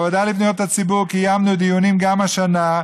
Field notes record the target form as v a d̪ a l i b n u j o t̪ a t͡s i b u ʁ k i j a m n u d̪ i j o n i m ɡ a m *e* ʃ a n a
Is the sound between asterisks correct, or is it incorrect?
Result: incorrect